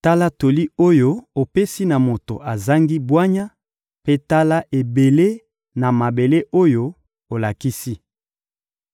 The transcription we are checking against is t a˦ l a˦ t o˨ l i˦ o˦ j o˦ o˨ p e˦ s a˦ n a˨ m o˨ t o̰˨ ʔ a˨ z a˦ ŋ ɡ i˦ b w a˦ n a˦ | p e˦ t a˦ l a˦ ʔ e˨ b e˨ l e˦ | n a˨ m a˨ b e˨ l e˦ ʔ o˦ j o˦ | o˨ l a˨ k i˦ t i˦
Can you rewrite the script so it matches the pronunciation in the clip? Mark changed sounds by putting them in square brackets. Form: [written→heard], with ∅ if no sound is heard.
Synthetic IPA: t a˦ l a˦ t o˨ l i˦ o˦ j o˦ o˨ p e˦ s [a˦→i˦] n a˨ m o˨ t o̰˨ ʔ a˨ z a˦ ŋ ɡ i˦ b w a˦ [n→ɲ] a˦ | p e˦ t a˦ l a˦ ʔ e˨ b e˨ l e˦ | n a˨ m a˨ b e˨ l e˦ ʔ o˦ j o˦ | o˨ l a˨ k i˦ [t→s] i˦